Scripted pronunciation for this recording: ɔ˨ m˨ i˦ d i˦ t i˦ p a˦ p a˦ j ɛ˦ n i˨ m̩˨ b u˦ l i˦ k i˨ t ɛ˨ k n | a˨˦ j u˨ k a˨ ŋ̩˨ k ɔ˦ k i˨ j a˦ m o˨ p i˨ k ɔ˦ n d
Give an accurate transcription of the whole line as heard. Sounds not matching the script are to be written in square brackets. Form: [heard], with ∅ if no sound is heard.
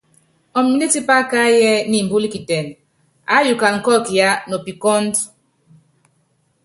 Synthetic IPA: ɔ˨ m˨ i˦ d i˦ t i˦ p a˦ [k] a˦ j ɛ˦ n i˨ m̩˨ b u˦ l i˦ k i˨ t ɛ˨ [∅] n | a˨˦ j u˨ k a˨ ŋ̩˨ k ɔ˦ k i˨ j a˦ [n] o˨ p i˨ k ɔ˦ n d